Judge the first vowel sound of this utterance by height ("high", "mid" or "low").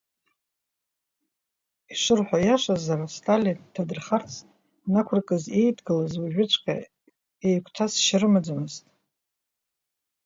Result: high